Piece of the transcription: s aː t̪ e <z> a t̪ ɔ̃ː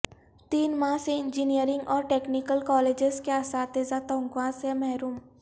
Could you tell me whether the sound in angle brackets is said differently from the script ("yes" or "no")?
no